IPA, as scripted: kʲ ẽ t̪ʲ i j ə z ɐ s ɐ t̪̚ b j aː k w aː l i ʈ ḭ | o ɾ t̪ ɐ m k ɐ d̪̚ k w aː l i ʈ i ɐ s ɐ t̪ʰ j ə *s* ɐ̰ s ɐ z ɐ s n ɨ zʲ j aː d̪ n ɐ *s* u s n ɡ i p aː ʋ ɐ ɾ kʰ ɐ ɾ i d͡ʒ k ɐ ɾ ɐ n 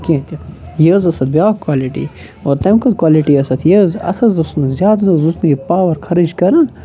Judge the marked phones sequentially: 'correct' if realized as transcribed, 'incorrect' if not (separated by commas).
incorrect, incorrect